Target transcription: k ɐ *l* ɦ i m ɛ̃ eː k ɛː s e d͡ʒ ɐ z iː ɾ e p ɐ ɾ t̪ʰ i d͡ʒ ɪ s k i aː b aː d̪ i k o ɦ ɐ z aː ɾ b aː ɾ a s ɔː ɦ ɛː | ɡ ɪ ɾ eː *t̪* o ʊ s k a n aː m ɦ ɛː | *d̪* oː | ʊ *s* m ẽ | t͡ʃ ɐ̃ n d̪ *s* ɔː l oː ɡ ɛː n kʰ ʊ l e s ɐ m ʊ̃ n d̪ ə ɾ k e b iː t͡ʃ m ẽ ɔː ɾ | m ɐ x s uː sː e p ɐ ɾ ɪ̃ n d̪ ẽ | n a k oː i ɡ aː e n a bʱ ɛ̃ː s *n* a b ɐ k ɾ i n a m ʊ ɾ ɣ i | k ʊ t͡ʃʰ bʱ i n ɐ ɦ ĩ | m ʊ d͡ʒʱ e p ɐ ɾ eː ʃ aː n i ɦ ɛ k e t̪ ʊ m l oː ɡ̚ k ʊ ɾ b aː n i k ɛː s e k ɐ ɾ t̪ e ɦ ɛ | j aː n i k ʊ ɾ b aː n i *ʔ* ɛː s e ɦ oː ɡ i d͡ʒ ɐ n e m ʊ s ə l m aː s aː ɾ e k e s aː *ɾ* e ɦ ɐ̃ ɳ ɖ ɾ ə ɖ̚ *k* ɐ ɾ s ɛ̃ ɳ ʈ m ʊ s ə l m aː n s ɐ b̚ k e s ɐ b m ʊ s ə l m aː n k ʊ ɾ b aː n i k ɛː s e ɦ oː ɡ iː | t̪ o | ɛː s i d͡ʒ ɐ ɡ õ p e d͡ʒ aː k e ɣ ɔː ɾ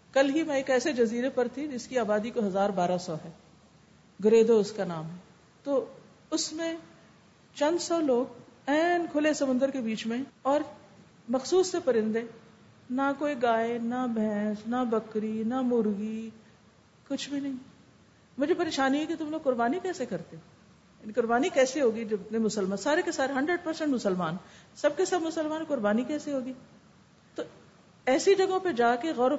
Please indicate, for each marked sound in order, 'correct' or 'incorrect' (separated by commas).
correct, incorrect, incorrect, correct, correct, correct, incorrect, correct, incorrect